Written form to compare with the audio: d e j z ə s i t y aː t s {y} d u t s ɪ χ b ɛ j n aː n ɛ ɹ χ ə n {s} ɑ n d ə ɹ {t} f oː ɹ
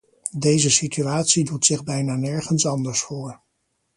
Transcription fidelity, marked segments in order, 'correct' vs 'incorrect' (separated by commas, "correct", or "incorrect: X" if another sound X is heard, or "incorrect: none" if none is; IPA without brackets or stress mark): incorrect: i, correct, incorrect: s